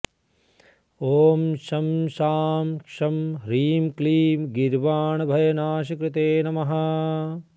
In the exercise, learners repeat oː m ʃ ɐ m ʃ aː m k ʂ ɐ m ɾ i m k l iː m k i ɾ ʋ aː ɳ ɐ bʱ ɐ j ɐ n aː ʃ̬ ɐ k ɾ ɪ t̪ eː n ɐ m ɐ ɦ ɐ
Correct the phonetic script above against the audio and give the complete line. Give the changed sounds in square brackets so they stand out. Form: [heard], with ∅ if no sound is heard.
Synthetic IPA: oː m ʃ ɐ m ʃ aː m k ʂ ɐ m ɾ [iː] m k l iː m [ɡ] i ɾ ʋ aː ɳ ɐ bʱ ɐ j ɐ n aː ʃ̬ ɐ k ɾ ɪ t̪ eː n ɐ m ɐ ɦ ɐ

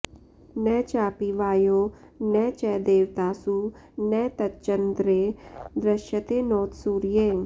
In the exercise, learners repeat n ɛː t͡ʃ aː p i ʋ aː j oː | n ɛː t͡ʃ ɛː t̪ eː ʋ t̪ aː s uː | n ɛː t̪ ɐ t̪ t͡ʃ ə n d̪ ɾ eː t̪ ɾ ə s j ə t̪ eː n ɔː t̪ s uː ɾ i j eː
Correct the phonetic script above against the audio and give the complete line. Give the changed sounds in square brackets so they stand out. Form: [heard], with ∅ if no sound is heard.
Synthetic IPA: n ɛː t͡ʃ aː p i ʋ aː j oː | n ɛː t͡ʃ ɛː [d̪] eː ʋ t̪ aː s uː | n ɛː t̪ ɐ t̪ t͡ʃ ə n d̪ ɾ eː [d̪] ɾ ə [ʃ] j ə t̪ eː n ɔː t̪ s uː ɾ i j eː

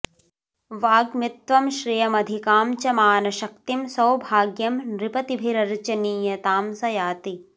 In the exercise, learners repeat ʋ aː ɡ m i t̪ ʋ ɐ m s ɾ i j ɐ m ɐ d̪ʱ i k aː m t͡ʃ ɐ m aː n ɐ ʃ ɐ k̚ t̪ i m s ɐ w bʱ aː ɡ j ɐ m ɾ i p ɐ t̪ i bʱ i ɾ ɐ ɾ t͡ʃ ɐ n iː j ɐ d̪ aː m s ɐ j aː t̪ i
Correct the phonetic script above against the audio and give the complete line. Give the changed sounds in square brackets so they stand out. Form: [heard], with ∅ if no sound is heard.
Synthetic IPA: ʋ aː ɡ m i t̪ ʋ ɐ m [ʃ] ɾ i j ɐ m ɐ d̪ʱ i k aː m t͡ʃ ɐ m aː n ɐ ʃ ɐ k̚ t̪ i m s ɐ w bʱ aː ɡ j ɐ m ɾ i p ɐ t̪ i bʱ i ɾ ɐ ɾ t͡ʃ ɐ n iː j ɐ [t̪] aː m s ɐ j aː t̪ i

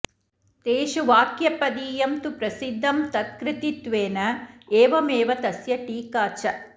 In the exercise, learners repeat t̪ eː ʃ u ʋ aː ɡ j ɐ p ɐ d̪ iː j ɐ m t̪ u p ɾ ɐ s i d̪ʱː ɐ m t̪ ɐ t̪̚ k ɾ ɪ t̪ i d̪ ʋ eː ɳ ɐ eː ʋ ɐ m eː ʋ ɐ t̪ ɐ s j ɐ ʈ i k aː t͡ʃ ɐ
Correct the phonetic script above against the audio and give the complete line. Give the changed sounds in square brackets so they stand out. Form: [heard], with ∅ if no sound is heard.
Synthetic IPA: t̪ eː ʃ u ʋ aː [k] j ɐ p ɐ d̪ iː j ɐ m t̪ u p ɾ ɐ s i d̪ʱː ɐ m t̪ ɐ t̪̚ k ɾ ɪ t̪ i [t̪] ʋ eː [n] ɐ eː ʋ ɐ m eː ʋ ɐ t̪ ɐ s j ɐ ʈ [iː] k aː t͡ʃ ɐ

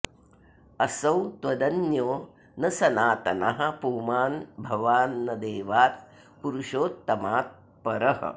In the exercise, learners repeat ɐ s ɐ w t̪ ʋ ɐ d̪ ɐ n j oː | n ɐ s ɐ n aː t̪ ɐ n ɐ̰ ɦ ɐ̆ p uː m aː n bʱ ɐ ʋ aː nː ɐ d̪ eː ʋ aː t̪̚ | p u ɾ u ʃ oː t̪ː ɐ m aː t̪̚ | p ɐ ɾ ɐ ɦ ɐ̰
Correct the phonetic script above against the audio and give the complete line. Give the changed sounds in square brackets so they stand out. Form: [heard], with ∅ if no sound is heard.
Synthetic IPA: ɐ s ɐ w t̪ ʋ ɐ d̪ ɐ n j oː | n ɐ s ɐ n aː t̪ ɐ n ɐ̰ ɦ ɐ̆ p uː m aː n bʱ ɐ ʋ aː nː ɐ d̪ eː ʋ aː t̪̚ | p u ɾ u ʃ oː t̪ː ɐ m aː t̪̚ | p ɐ ɾ ɐ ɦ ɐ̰

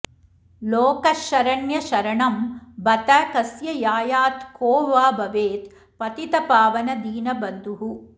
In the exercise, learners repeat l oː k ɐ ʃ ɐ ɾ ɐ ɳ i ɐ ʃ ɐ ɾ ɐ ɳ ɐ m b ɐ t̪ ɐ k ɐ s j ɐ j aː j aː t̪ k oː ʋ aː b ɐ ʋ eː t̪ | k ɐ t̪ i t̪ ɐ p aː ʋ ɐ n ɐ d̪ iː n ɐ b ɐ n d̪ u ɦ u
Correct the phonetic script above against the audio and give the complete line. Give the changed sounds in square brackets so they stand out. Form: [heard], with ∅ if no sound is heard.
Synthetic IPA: l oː k ɐ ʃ ɐ ɾ ɐ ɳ [j] ɐ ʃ ɐ ɾ ɐ ɳ ɐ m b ɐ t̪ ɐ k ɐ s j ɐ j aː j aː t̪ k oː ʋ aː b ɐ ʋ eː t̪ | [p] ɐ t̪ i t̪ ɐ p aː ʋ ɐ n ɐ d̪ iː n ɐ b ɐ n d̪ u ɦ u

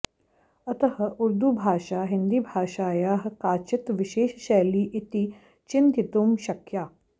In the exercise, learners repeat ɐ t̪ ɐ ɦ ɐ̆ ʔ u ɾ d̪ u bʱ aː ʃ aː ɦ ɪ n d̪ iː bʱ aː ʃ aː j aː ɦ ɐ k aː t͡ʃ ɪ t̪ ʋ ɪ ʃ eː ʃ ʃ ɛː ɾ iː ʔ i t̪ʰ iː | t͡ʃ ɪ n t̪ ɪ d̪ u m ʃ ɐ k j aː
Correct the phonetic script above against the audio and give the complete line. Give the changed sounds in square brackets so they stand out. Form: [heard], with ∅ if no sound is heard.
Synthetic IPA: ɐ t̪ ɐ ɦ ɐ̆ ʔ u ɾ d̪ u bʱ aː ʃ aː ɦ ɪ n d̪ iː bʱ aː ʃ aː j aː ɦ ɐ k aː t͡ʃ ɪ t̪ ʋ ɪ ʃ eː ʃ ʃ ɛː [l] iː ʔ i [t̪] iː | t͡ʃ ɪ n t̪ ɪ [t̪] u m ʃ ɐ k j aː

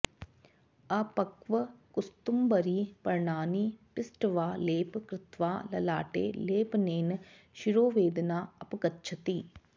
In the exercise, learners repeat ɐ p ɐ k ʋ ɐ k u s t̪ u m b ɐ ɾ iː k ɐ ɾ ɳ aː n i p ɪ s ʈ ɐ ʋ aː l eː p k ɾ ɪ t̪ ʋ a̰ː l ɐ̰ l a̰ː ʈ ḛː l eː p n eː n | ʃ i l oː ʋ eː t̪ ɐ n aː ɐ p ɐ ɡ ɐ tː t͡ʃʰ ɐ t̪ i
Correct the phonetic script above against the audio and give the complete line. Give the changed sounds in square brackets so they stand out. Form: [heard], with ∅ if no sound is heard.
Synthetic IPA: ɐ p ɐ k ʋ ɐ k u s t̪ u m b ɐ ɾ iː [p] ɐ ɾ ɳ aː n i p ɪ s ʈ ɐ ʋ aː l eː p k ɾ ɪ t̪ ʋ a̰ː l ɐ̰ l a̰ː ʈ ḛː l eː p n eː n | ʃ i [ɾ] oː ʋ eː [d̪] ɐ n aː ɐ p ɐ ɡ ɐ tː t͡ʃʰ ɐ t̪ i

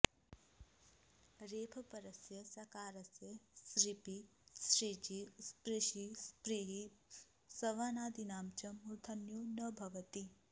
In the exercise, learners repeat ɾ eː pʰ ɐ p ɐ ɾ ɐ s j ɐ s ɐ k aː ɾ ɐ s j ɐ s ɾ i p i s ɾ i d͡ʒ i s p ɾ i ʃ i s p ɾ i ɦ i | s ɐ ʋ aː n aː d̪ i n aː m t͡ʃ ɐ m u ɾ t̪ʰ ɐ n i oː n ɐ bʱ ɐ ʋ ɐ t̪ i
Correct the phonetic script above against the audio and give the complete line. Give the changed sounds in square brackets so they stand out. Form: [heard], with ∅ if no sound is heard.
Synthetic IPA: ɾ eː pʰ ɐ p ɐ ɾ ɐ s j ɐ s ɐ k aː ɾ ɐ s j ɐ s ɾ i p i s ɾ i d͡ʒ i s p ɾ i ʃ i s p ɾ i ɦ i | s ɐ ʋ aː n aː d̪ i n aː m t͡ʃ ɐ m u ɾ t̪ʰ ɐ n [j] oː n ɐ bʱ ɐ ʋ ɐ t̪ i

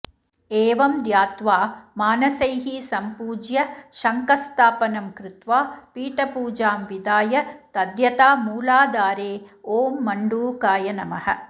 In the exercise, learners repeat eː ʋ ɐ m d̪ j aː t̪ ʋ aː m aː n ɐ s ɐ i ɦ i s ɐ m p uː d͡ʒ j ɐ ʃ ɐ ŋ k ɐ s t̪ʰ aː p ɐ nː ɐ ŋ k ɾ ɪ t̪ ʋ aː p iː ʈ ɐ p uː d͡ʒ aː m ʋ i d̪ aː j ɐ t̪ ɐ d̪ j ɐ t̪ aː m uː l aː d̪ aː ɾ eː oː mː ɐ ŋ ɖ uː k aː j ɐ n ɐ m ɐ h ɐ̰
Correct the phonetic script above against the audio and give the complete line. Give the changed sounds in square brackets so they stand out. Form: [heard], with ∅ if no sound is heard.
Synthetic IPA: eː ʋ ɐ m d̪ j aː t̪ ʋ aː m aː n ɐ s ɐ [j] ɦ i s ɐ m p uː d͡ʒ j ɐ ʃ ɐ ŋ k ɐ s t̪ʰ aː p ɐ [n] ɐ [m] k ɾ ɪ t̪ ʋ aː p iː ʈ ɐ p uː d͡ʒ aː m ʋ i d̪ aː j ɐ t̪ ɐ d̪ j ɐ t̪ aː m uː l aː d̪ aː ɾ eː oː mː ɐ [ɳ] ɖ uː k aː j ɐ n ɐ m ɐ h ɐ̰

